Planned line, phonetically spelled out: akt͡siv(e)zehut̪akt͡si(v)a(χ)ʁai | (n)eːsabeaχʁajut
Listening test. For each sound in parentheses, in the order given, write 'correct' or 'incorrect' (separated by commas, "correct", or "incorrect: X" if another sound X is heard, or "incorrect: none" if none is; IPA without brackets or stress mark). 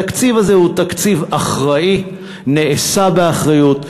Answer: incorrect: a, correct, correct, correct